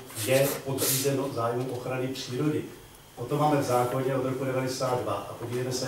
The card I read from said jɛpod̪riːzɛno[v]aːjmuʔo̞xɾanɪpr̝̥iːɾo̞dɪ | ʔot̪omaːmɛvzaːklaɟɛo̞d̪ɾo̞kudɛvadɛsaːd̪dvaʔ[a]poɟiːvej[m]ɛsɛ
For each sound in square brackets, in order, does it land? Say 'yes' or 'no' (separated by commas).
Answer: no, yes, yes